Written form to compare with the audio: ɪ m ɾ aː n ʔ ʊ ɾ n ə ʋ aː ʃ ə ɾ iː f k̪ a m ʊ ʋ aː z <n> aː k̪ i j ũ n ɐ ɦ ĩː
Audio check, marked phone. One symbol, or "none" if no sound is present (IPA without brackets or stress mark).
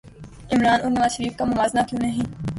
n